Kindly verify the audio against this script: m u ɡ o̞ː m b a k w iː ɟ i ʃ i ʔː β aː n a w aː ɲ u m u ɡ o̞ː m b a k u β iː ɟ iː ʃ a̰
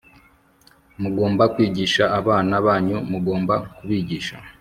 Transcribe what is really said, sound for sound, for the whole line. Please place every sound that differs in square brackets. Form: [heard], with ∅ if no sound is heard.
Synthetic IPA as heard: m u ɡ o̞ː m b a k w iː ɟ i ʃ [a] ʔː β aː n a [β] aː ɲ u m u ɡ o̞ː m b a k u β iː ɟ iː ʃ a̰